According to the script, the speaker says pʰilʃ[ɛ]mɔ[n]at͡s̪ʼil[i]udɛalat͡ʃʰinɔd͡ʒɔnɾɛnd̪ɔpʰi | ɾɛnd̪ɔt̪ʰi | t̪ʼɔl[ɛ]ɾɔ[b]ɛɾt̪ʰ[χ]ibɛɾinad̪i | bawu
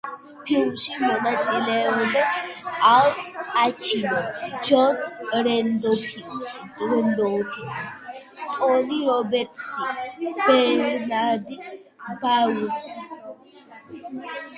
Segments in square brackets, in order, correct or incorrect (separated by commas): incorrect, correct, incorrect, incorrect, correct, incorrect